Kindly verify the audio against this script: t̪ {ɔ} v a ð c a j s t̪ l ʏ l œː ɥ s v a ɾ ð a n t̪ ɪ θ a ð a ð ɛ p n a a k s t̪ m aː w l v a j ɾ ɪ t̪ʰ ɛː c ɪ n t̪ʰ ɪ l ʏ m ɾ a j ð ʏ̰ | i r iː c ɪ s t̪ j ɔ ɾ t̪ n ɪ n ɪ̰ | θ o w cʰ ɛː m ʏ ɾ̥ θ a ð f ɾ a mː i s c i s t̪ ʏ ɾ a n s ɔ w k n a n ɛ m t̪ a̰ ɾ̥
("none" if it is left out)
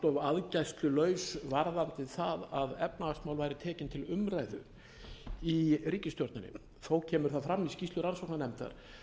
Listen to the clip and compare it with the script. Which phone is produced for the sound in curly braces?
ɔ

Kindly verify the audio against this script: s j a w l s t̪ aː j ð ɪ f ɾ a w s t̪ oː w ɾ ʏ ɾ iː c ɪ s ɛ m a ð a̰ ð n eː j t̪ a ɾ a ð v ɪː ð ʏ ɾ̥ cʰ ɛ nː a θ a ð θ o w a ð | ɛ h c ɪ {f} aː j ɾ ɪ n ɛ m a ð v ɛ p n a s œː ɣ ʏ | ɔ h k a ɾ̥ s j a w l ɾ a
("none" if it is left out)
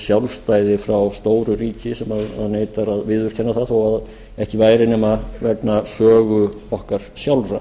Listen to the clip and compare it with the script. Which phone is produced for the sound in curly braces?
v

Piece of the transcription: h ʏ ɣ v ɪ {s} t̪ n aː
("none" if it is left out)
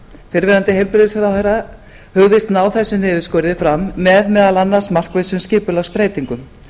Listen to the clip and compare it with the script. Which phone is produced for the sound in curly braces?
s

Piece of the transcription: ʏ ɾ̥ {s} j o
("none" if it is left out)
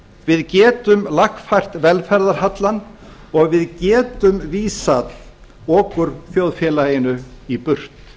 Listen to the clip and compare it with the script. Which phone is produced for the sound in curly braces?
θ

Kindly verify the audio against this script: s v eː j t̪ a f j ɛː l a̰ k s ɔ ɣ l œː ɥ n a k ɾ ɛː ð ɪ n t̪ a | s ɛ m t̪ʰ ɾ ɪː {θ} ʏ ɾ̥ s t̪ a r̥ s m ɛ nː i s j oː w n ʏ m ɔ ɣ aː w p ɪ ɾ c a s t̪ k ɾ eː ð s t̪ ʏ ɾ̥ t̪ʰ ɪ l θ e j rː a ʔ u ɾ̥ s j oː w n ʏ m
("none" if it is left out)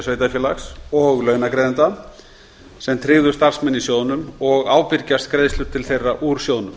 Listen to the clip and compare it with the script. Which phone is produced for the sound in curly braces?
ð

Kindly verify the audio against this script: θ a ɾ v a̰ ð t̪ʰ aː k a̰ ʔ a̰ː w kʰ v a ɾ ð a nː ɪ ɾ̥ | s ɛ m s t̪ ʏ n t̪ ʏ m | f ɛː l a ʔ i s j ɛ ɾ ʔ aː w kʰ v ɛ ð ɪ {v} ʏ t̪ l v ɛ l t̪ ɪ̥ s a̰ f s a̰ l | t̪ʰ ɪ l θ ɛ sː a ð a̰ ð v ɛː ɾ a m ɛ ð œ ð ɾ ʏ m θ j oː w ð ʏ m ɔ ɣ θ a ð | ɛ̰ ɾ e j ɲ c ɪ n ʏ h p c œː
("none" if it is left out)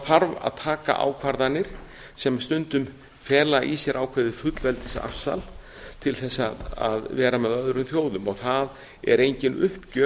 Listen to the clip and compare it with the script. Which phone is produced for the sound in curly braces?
f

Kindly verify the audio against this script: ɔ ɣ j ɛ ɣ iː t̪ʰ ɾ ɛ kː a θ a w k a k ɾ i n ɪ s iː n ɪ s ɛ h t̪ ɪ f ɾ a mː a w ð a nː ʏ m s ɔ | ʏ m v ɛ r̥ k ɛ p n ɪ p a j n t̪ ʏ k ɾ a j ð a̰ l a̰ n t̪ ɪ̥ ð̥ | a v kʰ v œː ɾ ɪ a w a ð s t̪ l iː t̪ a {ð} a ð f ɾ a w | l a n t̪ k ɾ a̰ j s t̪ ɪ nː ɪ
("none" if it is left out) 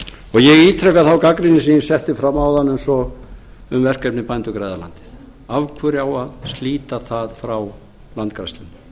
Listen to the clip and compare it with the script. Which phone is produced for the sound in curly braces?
θ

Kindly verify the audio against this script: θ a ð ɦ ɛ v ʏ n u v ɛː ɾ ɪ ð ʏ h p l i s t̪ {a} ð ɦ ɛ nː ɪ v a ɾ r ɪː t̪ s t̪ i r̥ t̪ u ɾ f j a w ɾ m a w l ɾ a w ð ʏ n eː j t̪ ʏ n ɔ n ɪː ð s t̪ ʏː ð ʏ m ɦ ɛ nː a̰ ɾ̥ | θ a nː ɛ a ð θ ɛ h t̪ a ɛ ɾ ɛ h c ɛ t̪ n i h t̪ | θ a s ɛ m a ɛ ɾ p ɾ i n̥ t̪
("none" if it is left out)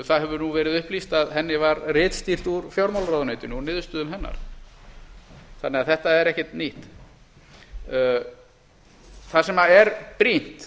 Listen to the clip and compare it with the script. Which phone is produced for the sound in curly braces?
a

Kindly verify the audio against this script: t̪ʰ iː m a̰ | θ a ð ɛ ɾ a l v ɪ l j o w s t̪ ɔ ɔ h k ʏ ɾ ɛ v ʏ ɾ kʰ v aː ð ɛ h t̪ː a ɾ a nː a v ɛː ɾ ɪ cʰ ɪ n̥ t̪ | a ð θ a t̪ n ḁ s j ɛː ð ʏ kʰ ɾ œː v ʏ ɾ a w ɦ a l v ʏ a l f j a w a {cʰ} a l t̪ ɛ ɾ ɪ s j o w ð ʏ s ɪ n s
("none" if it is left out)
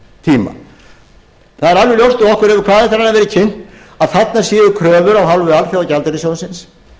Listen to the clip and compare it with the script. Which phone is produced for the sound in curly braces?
c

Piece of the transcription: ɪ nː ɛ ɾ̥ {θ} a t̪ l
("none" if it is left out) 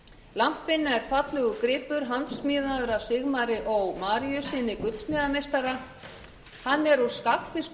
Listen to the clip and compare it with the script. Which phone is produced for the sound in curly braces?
f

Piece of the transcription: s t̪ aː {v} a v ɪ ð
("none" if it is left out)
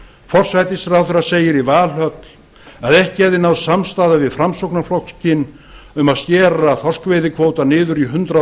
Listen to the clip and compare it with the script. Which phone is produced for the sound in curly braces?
ð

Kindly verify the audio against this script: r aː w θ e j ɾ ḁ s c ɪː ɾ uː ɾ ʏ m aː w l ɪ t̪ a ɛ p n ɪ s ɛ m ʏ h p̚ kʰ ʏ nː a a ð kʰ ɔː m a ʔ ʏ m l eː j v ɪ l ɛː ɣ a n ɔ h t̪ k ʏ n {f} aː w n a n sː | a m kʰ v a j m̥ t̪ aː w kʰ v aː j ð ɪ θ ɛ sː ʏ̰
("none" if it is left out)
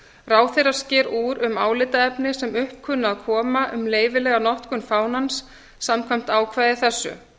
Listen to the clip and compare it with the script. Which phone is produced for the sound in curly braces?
f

